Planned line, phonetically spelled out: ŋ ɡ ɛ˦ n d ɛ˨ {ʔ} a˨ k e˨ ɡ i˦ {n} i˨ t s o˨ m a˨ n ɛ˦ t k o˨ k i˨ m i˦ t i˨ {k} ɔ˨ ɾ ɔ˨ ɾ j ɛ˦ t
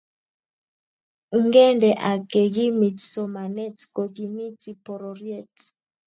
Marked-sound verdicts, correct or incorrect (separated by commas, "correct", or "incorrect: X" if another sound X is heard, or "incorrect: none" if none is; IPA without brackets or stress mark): correct, incorrect: m, incorrect: p